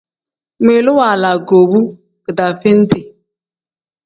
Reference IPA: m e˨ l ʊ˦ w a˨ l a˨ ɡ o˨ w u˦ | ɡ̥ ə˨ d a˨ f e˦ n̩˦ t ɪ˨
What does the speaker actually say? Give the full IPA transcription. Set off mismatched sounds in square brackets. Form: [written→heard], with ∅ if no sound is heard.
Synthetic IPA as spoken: m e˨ l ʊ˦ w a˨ l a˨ ɡ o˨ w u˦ | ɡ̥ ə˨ d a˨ f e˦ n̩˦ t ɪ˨